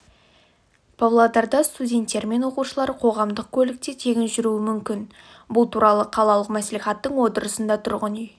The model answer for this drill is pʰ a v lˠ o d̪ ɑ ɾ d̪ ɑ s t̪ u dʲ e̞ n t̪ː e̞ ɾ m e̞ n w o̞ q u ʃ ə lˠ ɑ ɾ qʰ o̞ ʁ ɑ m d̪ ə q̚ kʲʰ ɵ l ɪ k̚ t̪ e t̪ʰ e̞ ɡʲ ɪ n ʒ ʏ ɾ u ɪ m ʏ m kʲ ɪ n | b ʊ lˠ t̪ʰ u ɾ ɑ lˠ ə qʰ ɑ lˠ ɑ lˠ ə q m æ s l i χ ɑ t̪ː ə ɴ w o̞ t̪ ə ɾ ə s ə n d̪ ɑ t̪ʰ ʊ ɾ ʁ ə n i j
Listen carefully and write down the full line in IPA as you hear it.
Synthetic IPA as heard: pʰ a v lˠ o d̪ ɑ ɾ d̪ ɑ s t̪ u dʲ e̞ n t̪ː e̞ ɾ m e̞ n w o̞ q u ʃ ə lˠ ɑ ɾ qʰ o̞ ʁ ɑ m d̪ ə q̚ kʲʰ ɵ l ɪ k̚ t̪ e t̪ʰ e̞ ɡʲ ɪ n ʒ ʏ ɾ u ɪ m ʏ m kʲ ɪ n | b ʊ lˠ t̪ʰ u ɾ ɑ lˠ ə qʰ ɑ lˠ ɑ lˠ ə q m æ s l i χ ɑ t̪ː ə ɴ w o̞ t̪ ə ɾ ə s ə n d̪ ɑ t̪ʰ ʊ ɾ ʁ ə n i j